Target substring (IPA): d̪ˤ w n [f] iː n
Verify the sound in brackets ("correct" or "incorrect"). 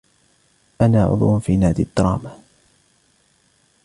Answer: correct